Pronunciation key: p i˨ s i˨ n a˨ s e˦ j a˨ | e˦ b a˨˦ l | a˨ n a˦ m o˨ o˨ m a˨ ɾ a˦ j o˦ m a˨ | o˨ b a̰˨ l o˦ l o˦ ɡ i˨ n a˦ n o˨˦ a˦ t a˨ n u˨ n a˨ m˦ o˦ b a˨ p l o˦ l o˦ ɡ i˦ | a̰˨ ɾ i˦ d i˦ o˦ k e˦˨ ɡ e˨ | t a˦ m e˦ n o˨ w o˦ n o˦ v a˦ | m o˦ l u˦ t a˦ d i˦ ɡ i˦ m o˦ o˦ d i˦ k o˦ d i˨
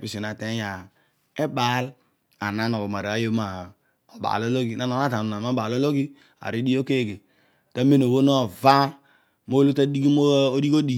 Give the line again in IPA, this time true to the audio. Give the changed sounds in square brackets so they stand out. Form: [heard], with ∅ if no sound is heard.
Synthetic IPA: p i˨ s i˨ n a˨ [t] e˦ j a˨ | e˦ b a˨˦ l | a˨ n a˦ [n] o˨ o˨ m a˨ ɾ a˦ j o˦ m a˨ | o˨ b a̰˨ l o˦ l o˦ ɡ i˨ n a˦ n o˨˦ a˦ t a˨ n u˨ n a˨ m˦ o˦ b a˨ [∅] l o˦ l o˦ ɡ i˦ | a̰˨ ɾ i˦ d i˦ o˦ k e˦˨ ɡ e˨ | t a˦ m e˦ n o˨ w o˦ n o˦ v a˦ | m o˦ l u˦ t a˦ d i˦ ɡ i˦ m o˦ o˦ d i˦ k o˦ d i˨

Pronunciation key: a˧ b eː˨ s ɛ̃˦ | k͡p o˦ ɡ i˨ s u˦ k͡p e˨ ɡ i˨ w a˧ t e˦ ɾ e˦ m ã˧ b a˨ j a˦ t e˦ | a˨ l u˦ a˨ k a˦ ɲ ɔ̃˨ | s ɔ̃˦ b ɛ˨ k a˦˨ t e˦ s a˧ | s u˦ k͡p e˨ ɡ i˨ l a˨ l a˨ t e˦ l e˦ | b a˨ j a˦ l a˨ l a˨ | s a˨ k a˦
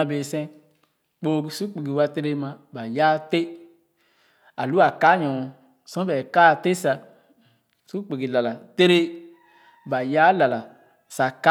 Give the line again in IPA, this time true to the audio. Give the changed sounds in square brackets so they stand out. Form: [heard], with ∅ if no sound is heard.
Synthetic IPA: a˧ b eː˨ s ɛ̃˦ | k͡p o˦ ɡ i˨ s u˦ k͡p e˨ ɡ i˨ w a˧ t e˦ ɾ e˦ m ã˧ b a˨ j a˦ t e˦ | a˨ l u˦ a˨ k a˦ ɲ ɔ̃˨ | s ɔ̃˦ b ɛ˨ k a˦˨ t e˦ s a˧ | s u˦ k͡p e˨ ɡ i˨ l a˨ l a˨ t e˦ [ɾ] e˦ | b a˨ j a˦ l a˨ l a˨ | s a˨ k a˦

